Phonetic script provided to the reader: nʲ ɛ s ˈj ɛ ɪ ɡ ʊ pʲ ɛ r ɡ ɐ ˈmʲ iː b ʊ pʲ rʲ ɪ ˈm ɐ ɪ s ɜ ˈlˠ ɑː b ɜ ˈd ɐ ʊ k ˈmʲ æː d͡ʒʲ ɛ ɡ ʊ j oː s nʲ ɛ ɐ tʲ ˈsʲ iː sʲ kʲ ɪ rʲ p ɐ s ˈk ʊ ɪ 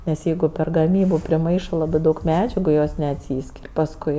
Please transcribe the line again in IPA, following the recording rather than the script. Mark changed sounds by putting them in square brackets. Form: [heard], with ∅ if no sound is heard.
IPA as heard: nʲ ɛ s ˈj ɛ ɪ ɡ ʊ pʲ ɛ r ɡ ɐ ˈmʲ iː b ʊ pʲ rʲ ɪ ˈm ɐ ɪ [ʃ] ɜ ˈlˠ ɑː b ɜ ˈd ɐ ʊ k ˈmʲ æː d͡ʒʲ ɛ ɡ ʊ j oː s nʲ ɛ ɐ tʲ ˈsʲ iː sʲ kʲ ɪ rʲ p ɐ s ˈk ʊ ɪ